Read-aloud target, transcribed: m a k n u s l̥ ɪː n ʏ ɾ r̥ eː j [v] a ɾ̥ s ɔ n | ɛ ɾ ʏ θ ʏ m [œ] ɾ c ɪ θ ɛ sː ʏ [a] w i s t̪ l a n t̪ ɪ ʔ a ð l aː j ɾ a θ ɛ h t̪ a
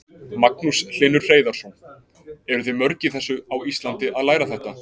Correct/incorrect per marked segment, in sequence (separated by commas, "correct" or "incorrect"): incorrect, correct, correct